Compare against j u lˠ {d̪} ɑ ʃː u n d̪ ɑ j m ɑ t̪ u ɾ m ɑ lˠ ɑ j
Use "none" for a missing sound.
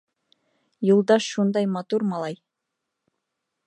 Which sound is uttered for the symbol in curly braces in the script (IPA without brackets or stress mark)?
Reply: d̪